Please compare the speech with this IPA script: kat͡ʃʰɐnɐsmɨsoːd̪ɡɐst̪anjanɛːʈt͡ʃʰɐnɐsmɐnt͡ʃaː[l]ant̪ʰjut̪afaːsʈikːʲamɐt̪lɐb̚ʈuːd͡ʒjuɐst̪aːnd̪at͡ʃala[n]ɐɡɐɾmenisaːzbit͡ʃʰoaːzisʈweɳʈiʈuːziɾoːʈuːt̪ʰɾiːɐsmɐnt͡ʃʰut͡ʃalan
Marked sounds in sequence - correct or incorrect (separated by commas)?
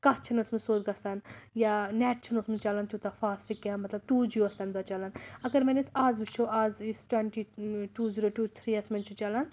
correct, correct